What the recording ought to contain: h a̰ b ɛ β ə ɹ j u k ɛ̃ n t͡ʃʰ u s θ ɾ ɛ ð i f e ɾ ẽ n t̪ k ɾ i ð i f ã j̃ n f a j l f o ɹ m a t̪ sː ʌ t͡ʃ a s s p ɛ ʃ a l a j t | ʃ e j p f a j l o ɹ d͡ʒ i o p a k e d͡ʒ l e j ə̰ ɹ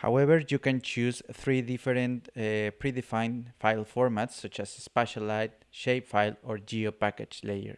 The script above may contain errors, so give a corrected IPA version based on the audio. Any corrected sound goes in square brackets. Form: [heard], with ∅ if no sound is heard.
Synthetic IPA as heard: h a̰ [w] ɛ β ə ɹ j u k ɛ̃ n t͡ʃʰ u s θ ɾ [i] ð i f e ɾ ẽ n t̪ [p] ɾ i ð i f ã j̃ n f a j l f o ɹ m a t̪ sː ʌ t͡ʃ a s s p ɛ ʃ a l a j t | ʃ e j p f a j l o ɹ d͡ʒ i o p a k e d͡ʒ l e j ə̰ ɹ